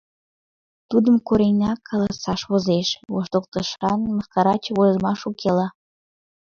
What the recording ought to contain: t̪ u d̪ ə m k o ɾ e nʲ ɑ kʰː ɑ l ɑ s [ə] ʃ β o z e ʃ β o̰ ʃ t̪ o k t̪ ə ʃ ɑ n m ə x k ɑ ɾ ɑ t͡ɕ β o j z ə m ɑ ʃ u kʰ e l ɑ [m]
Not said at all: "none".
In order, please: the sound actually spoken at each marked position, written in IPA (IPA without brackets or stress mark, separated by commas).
ɑ, none